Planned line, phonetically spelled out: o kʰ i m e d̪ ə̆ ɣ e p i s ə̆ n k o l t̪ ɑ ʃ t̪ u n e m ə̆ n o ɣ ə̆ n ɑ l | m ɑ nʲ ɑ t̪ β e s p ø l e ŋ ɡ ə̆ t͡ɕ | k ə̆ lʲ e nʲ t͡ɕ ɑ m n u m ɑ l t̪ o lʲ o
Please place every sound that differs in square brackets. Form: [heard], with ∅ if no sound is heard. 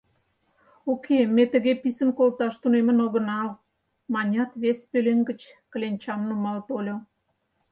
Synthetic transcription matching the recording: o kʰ [e] m e [t̪] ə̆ ɣ e p i s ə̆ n k o l t̪ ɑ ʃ t̪ u n e m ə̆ n o ɣ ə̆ n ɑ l | m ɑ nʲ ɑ t̪ β e s p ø l e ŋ ɡ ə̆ t͡ɕ | k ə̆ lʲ e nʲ t͡ɕ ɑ m n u m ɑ l t̪ o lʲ o